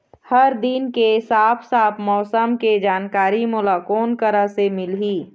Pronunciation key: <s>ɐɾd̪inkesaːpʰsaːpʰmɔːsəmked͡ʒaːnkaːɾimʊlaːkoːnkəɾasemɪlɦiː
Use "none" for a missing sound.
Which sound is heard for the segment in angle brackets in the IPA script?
h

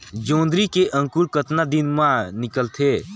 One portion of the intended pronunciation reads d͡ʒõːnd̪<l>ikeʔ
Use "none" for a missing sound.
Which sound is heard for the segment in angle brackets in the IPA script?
ɾ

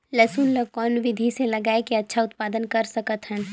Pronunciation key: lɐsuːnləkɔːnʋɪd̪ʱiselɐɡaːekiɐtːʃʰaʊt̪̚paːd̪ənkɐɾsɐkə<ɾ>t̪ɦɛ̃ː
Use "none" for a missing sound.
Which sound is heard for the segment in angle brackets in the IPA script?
none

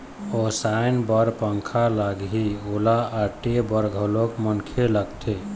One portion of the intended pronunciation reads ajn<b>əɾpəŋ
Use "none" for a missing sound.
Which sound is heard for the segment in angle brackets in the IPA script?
b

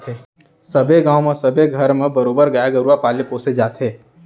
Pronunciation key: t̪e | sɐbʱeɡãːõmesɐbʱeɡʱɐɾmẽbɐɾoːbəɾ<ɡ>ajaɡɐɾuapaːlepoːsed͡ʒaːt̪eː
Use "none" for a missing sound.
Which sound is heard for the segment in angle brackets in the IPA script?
ɡ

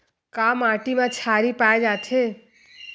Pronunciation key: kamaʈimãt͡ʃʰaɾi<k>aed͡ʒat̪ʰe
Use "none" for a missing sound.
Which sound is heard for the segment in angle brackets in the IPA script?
p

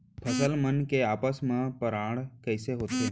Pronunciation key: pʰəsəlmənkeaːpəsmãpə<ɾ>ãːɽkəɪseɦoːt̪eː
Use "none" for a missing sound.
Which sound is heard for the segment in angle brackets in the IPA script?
ɾ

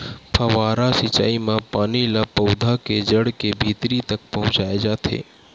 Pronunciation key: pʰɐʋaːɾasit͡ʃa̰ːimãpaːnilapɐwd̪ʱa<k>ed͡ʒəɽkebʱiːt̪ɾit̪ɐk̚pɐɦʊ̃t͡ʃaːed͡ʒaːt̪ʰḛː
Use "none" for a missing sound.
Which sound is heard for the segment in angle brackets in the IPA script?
k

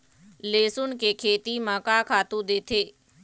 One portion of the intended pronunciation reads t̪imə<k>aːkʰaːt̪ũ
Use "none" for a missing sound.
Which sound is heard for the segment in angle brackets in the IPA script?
k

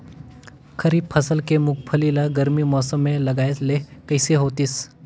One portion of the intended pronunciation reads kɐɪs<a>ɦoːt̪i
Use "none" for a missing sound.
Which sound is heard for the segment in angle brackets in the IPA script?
e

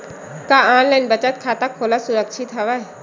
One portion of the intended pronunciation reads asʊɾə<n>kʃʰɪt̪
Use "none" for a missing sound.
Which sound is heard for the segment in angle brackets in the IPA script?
none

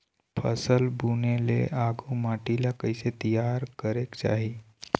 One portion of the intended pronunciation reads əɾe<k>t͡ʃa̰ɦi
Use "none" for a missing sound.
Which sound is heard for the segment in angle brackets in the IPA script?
k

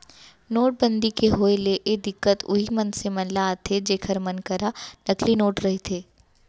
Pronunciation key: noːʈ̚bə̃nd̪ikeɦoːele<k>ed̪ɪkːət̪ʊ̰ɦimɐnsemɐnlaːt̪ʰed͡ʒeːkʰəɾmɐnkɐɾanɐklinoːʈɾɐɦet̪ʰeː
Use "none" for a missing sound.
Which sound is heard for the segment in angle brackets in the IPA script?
ʔ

